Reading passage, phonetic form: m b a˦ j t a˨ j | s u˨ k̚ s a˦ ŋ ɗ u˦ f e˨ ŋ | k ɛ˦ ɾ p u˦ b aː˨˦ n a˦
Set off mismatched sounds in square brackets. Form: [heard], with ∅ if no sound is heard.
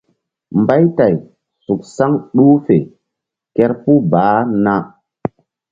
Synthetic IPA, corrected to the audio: m b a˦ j t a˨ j | s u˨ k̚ s a˦ ŋ ɗ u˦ f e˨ [∅] | k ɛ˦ ɾ p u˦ b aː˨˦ n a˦